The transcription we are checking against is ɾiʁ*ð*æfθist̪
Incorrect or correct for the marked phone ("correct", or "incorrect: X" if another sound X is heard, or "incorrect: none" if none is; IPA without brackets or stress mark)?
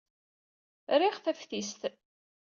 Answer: incorrect: θ